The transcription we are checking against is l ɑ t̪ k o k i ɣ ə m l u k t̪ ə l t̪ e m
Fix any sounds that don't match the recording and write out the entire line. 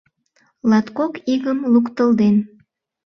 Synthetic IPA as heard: l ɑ t̪ k o k i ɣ ə m l u k t̪ ə l d̪ e n

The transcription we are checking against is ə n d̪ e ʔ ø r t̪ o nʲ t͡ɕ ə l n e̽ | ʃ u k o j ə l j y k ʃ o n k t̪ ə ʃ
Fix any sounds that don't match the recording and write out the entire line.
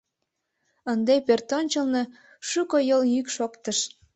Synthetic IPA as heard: ə n d̪ e p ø r t̪ o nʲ t͡ɕ ə l n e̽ | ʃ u k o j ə l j y k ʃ o k t̪ ə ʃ

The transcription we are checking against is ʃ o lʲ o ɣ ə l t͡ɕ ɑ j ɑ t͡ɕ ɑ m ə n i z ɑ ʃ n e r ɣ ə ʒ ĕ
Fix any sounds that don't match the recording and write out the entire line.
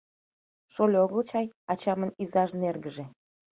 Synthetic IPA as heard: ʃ o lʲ o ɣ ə l t͡ɕ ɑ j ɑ t͡ɕ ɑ m ə n i z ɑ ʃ n e r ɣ ə ʒ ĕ

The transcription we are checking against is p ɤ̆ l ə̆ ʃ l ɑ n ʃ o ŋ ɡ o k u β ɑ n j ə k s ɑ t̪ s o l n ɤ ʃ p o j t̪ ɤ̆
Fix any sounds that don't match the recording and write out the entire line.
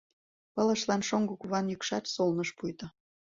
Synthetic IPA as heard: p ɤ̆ l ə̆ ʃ l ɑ n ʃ o ŋ ɡ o k u β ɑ n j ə k ʃ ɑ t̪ s o l n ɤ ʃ p u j t̪ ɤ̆

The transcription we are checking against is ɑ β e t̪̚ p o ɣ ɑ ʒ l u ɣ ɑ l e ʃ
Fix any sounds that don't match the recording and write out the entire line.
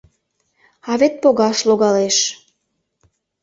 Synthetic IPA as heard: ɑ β e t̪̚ p o ɣ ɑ ʃ l o ɣ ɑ l e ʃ

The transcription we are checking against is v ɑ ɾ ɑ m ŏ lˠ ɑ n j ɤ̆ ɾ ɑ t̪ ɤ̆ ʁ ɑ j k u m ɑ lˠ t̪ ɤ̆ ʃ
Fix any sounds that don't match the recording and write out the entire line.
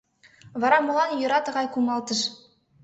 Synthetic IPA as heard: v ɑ ɾ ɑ m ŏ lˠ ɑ n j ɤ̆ ɾ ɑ t̪ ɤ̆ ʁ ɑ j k u m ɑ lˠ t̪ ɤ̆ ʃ

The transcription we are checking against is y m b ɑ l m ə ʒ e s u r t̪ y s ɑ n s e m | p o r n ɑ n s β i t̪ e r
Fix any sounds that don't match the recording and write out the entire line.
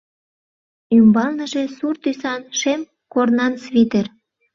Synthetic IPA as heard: y m b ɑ l n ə ʒ e s u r t̪ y s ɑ n ʃ e m | k o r n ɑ n s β i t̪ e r

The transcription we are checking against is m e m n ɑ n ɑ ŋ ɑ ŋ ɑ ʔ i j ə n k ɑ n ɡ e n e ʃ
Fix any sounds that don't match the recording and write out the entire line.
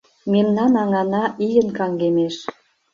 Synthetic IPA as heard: m e m n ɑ n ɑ ŋ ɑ n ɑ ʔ i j ə n k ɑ ŋ ɡ e m e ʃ

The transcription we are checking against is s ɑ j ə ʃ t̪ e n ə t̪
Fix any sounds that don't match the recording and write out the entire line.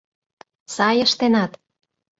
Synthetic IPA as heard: s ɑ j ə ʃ t̪ e n ɑ t̪

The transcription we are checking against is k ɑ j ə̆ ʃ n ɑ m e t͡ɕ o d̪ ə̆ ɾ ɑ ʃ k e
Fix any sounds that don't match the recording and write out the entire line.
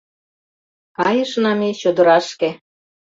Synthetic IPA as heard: k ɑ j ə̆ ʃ n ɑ m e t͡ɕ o d̪ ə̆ ɾ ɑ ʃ k e

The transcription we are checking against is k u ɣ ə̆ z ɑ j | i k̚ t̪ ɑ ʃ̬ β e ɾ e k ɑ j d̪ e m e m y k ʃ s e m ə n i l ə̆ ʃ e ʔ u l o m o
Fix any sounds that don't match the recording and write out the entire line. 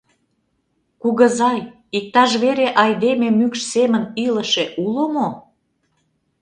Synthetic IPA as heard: k u ɣ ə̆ z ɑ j | i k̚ t̪ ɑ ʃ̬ β e ɾ e ʔ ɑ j d̪ e m e m y k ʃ s e m ə n i l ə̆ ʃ e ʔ u l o m o

